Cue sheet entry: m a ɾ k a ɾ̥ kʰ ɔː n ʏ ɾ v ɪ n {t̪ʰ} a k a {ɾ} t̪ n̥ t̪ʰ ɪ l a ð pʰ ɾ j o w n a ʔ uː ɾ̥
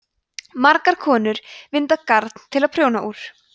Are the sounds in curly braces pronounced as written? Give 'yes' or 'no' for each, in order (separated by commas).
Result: no, yes